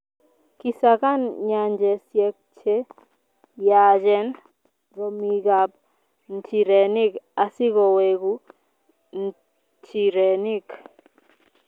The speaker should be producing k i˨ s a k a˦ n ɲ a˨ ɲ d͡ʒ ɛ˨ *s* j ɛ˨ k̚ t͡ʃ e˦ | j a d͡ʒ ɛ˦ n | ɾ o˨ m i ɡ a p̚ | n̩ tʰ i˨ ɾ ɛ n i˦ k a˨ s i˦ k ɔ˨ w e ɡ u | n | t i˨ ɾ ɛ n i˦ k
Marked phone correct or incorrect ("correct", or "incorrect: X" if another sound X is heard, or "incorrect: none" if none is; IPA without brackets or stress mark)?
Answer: correct